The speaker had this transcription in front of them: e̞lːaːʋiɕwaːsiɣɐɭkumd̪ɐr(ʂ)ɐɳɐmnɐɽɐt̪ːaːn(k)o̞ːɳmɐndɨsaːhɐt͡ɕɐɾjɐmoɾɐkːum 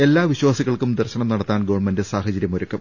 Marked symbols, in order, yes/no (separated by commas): no, no